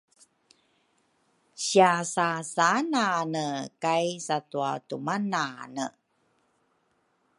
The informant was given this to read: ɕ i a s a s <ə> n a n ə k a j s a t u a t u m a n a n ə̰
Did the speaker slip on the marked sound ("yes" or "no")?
yes